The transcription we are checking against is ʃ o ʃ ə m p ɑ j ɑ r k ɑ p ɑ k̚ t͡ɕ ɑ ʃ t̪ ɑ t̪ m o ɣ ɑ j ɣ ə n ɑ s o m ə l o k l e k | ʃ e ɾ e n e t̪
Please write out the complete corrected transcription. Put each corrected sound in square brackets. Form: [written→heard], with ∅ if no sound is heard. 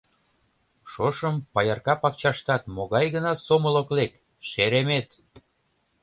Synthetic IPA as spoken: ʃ o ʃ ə m p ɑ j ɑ r k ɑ p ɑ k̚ t͡ɕ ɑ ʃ t̪ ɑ t̪ m o ɣ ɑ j ɣ ə n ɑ s o m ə l o k l e k | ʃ e ɾ e [n→m] e t̪

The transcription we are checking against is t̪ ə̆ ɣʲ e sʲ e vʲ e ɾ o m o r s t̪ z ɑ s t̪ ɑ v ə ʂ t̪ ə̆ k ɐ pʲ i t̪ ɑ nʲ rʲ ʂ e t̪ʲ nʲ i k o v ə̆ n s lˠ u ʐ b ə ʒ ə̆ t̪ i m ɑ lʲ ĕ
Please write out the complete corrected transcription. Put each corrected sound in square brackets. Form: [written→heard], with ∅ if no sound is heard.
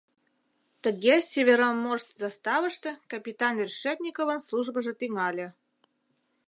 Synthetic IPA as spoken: t̪ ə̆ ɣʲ e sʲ e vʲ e ɾ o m o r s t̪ z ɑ s t̪ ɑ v ə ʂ t̪ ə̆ k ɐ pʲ i t̪ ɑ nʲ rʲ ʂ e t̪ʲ nʲ i k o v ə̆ n s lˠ u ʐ b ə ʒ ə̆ t̪ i [m→ŋ] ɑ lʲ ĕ

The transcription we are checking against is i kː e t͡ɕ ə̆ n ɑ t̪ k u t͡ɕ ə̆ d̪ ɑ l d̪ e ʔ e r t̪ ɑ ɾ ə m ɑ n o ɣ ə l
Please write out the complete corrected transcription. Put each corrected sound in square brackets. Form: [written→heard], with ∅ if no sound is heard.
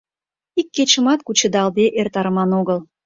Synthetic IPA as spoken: i kː e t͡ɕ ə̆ [n→m] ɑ t̪ k u t͡ɕ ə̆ d̪ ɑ l d̪ e ʔ e r t̪ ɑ ɾ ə m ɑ n o ɣ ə l

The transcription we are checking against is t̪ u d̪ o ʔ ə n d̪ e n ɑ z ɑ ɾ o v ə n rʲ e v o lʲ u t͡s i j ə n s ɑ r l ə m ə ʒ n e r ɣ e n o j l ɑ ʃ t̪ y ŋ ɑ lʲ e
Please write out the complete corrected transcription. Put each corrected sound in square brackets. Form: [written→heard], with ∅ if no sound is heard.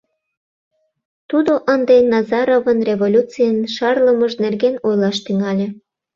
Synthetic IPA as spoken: t̪ u d̪ o ʔ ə n d̪ e n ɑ z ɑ ɾ o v ə n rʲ e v o lʲ u t͡s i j ə n [s→ʃ] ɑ r l ə m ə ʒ n e r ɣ e n o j l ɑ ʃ t̪ y ŋ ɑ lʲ e

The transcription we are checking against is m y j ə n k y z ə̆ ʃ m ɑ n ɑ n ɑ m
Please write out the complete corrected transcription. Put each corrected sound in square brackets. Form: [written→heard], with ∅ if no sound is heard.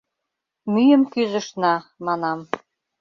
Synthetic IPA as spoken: m y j ə [n→m] k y z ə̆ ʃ [m→n] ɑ [n→m] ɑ n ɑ m

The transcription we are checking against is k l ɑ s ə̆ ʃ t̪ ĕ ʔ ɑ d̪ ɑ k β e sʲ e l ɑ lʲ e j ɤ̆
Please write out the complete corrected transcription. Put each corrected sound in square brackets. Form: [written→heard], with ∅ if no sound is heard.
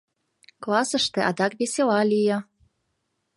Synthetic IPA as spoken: k l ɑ s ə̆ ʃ t̪ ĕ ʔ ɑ d̪ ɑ k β e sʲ e l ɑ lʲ [e→i] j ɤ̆

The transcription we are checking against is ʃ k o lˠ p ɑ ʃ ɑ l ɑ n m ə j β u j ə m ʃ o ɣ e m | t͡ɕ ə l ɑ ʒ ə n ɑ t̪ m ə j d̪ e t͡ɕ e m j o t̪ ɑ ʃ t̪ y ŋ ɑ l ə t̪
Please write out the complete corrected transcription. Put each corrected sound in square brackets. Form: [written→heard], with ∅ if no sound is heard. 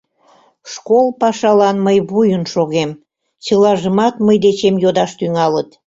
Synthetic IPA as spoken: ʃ k o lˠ p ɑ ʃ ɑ l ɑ n m ə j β u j ə [m→n] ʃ o ɣ e m | t͡ɕ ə l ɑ ʒ ə [n→m] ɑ t̪ m ə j d̪ e t͡ɕ e m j o [t̪→d̪] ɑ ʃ t̪ y ŋ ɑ l ə t̪

